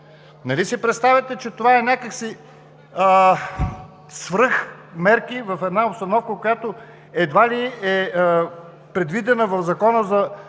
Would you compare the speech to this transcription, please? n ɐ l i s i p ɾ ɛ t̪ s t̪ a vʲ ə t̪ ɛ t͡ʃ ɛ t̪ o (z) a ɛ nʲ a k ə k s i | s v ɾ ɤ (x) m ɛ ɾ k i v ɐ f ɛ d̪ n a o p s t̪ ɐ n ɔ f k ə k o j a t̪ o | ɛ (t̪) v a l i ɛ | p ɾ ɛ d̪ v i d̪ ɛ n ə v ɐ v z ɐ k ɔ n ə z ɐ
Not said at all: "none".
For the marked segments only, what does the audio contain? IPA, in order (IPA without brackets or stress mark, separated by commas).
v, x, d̪